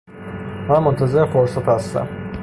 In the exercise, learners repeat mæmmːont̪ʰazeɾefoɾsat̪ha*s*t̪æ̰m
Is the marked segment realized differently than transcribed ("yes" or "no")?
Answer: no